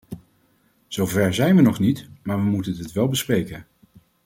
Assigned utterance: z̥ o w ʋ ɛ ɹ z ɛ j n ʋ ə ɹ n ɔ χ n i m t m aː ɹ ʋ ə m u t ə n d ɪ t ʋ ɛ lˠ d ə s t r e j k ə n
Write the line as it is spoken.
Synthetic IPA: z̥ o w v ɛ ɹ z ɛ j n ʋ ə n ɔ χ n i t m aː ɹ ʋ ə m u t ə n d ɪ t ʋ ɛ lˠ b ə s p r e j k ə n